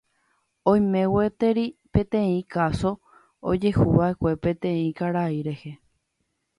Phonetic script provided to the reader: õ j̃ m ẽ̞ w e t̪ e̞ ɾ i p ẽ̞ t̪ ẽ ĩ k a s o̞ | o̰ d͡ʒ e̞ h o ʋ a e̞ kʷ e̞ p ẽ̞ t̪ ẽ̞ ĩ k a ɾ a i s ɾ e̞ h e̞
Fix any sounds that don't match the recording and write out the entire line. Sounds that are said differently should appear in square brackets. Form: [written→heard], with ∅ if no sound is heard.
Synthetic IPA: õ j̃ m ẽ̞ w e t̪ e̞ ɾ i p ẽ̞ t̪ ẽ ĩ k a s o̞ | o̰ d͡ʒ e̞ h [o→u] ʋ a e̞ kʷ e̞ p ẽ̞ t̪ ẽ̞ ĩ k a ɾ a i [s→∅] ɾ e̞ h e̞